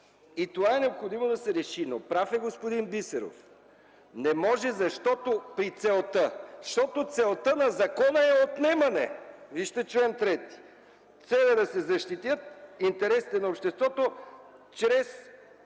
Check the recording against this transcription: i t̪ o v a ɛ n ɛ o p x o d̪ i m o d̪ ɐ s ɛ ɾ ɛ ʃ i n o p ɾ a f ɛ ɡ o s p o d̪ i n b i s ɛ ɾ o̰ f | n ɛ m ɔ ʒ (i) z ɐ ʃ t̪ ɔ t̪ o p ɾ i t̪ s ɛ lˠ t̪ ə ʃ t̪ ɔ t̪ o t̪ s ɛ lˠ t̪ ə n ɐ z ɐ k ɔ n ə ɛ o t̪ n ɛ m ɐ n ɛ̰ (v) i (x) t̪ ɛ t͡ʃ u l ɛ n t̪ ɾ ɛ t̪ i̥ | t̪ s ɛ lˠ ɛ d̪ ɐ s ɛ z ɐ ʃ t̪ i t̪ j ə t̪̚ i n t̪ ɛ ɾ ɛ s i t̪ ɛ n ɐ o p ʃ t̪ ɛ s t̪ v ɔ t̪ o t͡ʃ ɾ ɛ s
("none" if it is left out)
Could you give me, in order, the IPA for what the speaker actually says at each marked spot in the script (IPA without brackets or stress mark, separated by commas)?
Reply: ɛ, v, ʃ